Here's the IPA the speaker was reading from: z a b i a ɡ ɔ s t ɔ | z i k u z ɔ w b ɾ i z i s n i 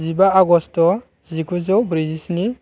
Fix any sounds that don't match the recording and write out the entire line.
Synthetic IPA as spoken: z i b a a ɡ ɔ s t ɔ | z i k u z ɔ w b ɾ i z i s n i